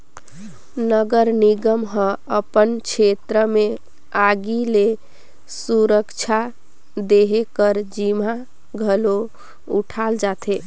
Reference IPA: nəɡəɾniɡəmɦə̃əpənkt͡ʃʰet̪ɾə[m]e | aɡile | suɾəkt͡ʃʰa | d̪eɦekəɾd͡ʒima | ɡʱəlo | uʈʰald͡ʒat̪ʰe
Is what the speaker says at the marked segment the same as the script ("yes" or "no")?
yes